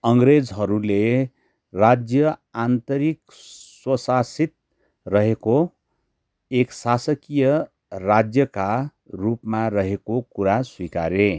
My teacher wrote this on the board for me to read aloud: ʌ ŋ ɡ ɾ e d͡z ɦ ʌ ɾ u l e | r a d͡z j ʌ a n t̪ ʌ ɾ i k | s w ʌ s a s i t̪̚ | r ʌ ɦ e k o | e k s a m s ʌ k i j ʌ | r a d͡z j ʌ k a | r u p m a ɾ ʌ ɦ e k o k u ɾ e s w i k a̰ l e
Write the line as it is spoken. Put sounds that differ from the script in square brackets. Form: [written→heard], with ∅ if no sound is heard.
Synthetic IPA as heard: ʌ ŋ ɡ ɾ e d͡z ɦ ʌ ɾ u l e | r a d͡z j ʌ a n t̪ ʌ ɾ i k | s w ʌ s a s i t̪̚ | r ʌ ɦ e k o | e k s a [m→∅] s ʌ k i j ʌ | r a d͡z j ʌ k a | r u p m a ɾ ʌ ɦ e k o k u ɾ [e→a] s w i k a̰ [l→ɾ] e